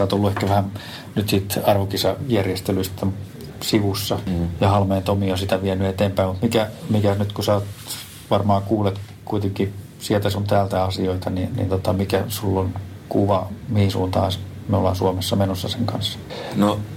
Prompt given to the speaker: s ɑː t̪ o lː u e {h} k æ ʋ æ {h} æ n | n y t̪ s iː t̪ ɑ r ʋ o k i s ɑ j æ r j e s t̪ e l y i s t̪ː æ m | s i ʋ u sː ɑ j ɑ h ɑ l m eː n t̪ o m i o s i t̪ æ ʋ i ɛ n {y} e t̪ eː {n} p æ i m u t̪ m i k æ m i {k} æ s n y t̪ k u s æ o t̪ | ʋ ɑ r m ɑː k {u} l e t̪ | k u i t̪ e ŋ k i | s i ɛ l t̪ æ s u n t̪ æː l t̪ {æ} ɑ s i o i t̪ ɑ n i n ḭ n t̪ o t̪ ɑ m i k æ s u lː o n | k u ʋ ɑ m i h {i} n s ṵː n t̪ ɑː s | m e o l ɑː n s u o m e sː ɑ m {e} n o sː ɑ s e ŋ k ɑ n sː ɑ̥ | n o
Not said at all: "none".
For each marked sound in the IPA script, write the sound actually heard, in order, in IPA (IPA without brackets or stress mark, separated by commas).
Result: h, h, y, m, k, uː, æ, i, e